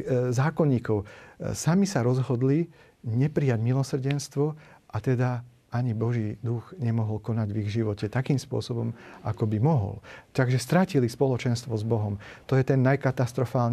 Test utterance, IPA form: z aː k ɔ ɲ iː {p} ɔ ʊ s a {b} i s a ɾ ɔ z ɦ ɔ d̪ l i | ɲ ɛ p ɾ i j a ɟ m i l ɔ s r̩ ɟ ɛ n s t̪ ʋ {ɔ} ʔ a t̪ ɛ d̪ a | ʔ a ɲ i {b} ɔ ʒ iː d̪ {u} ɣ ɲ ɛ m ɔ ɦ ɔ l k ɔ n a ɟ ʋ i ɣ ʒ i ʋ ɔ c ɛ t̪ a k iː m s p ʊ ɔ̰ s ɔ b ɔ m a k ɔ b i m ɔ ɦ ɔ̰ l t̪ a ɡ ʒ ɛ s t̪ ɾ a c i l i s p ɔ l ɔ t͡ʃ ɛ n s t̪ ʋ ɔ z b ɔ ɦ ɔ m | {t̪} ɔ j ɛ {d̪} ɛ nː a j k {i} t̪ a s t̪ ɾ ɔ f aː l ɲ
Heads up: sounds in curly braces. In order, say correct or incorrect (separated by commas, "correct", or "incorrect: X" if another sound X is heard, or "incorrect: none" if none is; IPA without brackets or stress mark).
incorrect: k, incorrect: m, correct, correct, correct, correct, incorrect: t̪, incorrect: a